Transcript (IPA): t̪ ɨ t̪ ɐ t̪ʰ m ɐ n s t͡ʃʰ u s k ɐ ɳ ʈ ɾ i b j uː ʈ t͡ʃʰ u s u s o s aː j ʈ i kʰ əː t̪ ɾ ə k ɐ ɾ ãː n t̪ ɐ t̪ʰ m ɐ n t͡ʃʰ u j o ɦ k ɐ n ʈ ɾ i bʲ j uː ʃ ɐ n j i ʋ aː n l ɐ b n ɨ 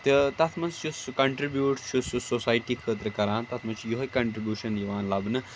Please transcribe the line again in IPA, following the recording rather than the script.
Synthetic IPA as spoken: t̪ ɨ t̪ ɐ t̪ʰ m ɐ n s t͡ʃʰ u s k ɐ ɳ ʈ ɾ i b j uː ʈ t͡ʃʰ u s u s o s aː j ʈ i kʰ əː t̪ ɾ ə k ɐ ɾ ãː n t̪ ɐ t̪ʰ m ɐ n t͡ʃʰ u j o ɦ k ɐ ɳ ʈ ɾ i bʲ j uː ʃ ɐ n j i ʋ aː n l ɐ b n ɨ